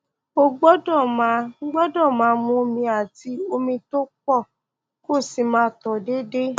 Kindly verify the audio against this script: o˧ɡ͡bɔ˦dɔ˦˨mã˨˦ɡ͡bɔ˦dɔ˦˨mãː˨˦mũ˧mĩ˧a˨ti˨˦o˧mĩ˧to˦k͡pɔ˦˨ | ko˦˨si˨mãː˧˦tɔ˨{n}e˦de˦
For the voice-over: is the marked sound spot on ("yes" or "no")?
no